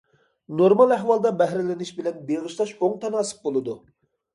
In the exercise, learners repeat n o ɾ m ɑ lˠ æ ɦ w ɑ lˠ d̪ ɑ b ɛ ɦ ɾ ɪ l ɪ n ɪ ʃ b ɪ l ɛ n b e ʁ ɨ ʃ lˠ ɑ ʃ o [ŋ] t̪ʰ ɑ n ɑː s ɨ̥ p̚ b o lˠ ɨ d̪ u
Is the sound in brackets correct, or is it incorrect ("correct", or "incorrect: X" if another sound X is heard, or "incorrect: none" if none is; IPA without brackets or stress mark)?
correct